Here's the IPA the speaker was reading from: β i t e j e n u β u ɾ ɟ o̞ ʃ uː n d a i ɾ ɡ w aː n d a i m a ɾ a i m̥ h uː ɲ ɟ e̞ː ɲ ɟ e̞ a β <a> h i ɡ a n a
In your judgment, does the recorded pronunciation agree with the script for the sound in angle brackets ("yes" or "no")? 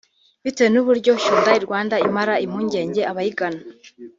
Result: yes